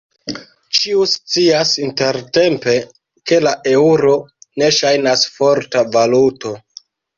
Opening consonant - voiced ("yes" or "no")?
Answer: no